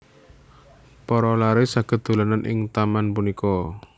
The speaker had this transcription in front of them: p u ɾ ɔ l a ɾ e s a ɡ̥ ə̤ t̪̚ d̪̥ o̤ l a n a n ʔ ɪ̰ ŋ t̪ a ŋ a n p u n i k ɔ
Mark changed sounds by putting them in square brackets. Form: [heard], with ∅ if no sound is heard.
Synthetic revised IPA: p [ɔ] ɾ ɔ l a ɾ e s a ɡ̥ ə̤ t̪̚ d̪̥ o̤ l a n a n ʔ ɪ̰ ŋ t̪ a [m] a n p u n i k ɔ